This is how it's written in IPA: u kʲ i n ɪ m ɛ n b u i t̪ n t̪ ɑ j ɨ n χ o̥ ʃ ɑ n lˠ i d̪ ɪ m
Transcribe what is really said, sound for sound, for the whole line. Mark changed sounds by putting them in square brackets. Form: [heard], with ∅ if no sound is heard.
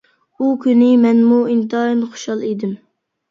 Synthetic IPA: u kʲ [y] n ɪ m ɛ n [m] u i [∅] n t̪ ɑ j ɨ n χ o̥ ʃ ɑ [∅] lˠ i d̪ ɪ m

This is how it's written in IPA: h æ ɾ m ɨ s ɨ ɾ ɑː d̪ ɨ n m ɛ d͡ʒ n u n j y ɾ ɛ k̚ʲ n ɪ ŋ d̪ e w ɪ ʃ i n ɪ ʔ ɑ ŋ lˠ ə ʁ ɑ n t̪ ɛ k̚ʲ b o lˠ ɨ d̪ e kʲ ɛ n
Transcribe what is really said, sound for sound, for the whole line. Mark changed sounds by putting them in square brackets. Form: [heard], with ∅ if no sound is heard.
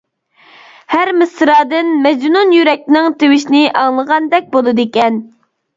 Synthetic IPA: h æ ɾ m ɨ s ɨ ɾ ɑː d̪ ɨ n m ɛ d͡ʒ n u n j y ɾ ɛ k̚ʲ n ɪ ŋ [t̪] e w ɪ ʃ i n ɪ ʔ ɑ ŋ lˠ ə ʁ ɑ n [d̪] ɛ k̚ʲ b o lˠ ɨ d̪ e kʲ ɛ n

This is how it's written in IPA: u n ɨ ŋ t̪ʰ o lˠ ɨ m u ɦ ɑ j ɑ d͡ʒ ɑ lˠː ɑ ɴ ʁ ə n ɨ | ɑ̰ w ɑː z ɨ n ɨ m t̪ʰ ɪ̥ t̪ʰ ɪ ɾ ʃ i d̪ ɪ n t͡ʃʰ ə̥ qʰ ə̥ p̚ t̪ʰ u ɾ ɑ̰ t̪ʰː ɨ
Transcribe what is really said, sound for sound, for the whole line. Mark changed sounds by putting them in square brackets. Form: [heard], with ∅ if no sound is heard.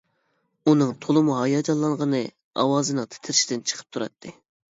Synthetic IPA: u n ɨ ŋ t̪ʰ o lˠ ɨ m u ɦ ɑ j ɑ d͡ʒ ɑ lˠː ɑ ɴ ʁ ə n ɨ | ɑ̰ w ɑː z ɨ n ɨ [ŋ] t̪ʰ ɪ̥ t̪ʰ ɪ ɾ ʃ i d̪ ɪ n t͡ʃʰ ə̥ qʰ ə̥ p̚ t̪ʰ u ɾ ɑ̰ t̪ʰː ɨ

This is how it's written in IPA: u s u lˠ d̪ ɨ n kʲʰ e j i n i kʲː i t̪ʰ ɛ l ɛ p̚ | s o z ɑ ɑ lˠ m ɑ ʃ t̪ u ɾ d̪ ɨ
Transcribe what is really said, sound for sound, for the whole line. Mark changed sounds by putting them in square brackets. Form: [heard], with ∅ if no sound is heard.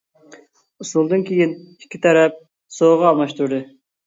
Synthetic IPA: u s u lˠ d̪ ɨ n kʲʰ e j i n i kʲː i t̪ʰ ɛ [ɾ] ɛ p̚ | s o [ʁ] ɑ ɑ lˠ m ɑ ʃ t̪ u ɾ d̪ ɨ

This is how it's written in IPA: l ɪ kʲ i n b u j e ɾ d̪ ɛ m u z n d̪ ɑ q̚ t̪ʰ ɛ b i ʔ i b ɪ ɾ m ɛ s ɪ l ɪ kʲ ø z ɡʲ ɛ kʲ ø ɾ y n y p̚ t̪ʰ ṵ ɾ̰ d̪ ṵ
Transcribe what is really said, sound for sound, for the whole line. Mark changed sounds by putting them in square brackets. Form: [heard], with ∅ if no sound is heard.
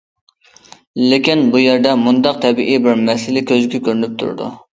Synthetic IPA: l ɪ kʲ i n b u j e ɾ d̪ ɛ m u [∅] n d̪ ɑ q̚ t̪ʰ ɛ b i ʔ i b ɪ ɾ m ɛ s ɪ l ɪ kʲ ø z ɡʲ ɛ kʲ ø ɾ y n y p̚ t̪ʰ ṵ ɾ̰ d̪ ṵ

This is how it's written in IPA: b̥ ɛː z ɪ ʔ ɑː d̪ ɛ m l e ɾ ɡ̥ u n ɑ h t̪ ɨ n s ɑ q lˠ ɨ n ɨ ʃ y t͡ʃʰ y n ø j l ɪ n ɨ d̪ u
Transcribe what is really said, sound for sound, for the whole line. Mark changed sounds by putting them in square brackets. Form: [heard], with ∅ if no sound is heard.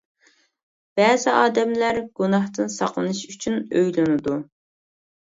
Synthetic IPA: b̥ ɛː z ɪ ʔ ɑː d̪ ɛ m l [æ] ɾ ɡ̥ u n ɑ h t̪ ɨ n s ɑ q lˠ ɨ n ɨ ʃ y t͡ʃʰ y n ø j l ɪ n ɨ d̪ u

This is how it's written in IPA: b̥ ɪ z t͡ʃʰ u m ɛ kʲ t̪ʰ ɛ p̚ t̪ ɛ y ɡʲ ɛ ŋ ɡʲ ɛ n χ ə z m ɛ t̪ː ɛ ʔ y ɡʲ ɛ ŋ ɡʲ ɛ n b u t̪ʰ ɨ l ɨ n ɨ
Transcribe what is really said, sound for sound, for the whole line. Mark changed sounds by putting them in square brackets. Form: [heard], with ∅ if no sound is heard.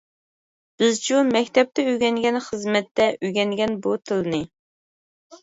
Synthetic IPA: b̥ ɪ z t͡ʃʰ u m ɛ kʲ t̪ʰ ɛ p̚ t̪ ɛ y ɡʲ ɛ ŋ ɡʲ ɛ n χ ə z m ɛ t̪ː ɛ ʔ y ɡʲ ɛ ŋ ɡʲ ɛ n b u t̪ʰ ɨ l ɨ n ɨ

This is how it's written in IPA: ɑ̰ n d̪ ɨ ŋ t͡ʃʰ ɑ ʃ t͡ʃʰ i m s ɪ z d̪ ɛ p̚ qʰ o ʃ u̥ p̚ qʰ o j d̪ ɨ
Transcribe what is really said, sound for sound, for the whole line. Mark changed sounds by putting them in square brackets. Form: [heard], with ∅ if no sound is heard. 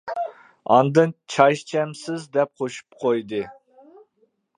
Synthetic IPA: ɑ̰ n d̪ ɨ [n] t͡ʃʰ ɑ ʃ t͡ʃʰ [ɛ] m s ɪ z d̪ ɛ p̚ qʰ o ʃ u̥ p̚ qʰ o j d̪ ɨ

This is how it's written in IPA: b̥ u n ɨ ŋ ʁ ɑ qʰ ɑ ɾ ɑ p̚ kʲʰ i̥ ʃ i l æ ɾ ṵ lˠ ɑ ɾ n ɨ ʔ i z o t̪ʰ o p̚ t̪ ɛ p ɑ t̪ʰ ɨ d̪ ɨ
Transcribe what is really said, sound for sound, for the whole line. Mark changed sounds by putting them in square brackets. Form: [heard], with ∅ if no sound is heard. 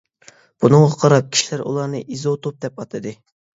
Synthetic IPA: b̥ u n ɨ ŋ ʁ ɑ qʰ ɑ ɾ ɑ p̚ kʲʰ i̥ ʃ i l æ ɾ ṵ lˠ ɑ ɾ n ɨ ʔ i z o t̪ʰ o p̚ [d̪] ɛ p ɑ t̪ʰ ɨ d̪ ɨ

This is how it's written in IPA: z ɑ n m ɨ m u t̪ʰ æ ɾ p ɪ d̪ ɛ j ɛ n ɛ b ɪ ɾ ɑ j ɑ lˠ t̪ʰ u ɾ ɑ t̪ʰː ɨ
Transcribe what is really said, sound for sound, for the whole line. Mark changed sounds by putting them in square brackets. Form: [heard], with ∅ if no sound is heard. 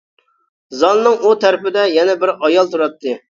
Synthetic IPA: z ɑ n [n] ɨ [ŋ] u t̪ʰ æ ɾ p ɪ d̪ ɛ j ɛ n ɛ b ɪ ɾ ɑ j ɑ lˠ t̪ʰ u ɾ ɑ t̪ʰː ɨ

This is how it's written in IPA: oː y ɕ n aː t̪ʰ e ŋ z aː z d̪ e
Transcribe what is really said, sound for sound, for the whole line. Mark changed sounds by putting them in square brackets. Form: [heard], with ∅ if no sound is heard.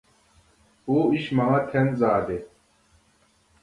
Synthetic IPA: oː [i] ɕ [m] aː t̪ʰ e [n] z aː [∅] d̪ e

